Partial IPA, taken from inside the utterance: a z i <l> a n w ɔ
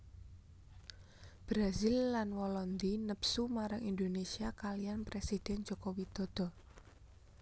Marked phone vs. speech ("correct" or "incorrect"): incorrect